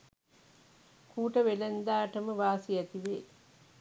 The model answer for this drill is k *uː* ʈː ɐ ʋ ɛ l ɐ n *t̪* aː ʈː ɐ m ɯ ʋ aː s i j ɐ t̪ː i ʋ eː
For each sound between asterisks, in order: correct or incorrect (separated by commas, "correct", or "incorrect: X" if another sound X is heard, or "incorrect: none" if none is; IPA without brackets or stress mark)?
correct, incorrect: d̪